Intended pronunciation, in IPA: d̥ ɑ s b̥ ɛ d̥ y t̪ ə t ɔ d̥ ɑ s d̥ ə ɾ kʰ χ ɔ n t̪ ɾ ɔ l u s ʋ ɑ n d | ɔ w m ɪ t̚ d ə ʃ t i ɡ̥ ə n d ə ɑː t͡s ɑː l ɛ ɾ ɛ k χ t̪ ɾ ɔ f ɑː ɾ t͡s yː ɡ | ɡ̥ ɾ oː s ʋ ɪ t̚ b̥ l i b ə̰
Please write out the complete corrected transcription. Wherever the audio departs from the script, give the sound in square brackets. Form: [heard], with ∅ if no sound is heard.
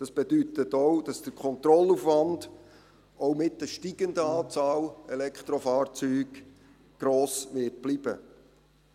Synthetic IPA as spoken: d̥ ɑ s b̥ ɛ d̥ y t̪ ə t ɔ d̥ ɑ s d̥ ə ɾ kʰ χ ɔ n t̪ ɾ ɔ l u [f] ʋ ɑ n d | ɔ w m ɪ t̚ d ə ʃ t i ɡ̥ ə n d ə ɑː t͡s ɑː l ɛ [l] ɛ k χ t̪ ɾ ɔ f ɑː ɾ t͡s yː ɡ | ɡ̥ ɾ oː s ʋ ɪ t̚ b̥ l i b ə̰